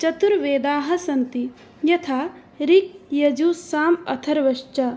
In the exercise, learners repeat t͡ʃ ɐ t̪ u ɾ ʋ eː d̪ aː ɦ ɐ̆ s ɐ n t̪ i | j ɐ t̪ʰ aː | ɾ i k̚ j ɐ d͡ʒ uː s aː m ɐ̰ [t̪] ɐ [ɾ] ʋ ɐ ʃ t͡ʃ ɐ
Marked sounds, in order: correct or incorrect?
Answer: incorrect, correct

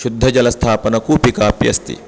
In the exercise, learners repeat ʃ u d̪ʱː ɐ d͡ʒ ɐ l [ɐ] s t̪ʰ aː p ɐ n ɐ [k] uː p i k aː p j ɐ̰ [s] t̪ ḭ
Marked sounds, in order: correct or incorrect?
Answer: correct, correct, correct

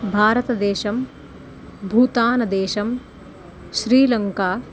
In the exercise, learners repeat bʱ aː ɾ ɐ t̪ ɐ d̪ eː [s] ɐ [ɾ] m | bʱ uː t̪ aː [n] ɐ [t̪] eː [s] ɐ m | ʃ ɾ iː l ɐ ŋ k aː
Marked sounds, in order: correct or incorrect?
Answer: incorrect, incorrect, correct, incorrect, incorrect

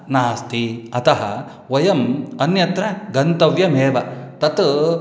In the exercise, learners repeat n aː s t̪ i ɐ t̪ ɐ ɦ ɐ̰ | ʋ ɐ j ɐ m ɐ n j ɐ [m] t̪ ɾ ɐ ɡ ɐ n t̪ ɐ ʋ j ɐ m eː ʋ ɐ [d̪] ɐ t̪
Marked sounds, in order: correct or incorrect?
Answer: incorrect, incorrect

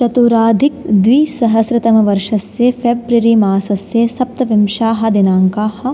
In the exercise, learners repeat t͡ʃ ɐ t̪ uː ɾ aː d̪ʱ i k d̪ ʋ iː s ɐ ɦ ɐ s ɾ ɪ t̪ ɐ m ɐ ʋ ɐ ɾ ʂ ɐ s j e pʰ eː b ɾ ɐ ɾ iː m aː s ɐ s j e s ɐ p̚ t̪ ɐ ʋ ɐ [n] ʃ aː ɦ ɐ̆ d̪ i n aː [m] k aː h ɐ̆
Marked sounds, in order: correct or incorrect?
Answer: incorrect, incorrect

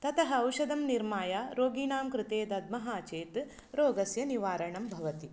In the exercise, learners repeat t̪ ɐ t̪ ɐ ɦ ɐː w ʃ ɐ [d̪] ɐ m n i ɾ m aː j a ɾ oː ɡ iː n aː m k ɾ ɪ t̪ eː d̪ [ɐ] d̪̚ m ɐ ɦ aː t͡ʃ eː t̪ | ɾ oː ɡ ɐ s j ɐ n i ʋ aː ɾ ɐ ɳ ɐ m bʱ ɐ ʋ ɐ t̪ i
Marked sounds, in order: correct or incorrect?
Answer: correct, correct

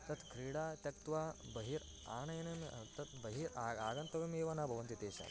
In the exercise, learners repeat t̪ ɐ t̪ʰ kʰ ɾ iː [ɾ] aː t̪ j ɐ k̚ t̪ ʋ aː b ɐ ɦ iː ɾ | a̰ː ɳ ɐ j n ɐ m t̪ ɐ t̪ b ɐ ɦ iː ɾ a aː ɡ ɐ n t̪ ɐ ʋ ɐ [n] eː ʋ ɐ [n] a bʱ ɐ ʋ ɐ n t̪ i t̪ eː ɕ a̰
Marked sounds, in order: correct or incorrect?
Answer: incorrect, incorrect, correct

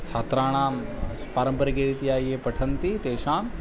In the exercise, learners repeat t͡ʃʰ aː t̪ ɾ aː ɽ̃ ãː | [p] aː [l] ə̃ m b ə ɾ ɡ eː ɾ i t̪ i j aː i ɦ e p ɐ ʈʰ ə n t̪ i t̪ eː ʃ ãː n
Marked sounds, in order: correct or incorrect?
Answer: correct, incorrect

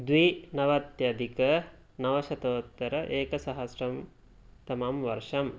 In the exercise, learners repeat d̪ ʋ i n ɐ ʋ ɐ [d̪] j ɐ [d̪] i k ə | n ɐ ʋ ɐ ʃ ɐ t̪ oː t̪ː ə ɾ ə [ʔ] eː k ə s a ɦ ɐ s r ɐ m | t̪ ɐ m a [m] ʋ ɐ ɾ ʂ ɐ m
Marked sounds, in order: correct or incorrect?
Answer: incorrect, correct, correct, correct

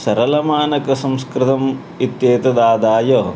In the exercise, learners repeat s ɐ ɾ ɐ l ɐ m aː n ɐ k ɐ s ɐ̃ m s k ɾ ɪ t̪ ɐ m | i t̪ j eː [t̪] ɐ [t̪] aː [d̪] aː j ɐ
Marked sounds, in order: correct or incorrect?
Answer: correct, incorrect, correct

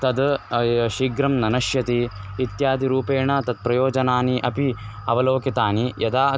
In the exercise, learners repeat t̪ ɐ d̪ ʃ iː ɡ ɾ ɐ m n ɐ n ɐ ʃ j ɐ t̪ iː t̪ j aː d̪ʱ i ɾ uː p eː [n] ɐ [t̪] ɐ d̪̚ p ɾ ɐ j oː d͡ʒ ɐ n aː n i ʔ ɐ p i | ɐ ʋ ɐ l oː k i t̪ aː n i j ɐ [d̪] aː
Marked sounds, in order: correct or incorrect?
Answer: incorrect, correct, correct

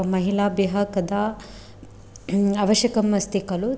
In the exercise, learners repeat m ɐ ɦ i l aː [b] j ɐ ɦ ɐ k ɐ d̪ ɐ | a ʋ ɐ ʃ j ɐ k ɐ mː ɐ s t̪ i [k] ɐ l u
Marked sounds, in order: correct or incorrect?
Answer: correct, correct

